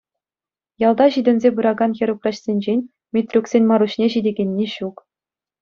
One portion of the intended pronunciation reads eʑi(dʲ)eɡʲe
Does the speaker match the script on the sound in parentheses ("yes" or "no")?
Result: yes